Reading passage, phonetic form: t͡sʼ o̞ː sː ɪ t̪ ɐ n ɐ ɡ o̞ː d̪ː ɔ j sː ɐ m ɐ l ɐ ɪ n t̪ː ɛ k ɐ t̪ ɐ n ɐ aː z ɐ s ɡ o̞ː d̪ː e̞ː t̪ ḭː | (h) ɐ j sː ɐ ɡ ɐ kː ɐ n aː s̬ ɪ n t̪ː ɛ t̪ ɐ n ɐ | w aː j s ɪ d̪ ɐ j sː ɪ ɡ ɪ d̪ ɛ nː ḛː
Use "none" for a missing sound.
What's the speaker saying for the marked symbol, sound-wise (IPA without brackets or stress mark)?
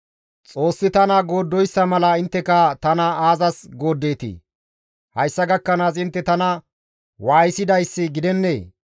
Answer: h